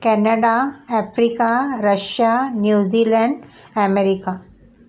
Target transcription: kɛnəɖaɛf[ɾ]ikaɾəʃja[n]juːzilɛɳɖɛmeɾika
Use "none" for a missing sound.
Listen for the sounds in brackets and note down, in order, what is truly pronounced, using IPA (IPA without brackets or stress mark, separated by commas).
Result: ɾ, n